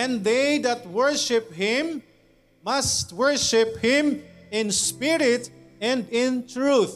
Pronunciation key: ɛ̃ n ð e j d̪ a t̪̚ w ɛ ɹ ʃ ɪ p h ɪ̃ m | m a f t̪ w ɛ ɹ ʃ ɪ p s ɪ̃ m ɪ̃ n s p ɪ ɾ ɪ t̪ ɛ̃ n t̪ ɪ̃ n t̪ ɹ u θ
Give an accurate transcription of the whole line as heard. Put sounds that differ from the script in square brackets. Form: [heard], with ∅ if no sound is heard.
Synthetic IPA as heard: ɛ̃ n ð e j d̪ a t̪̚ w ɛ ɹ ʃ ɪ p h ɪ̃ m | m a [s] t̪ w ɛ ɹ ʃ ɪ p [h] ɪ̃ m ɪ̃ n s p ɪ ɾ ɪ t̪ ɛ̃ n [d̪] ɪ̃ n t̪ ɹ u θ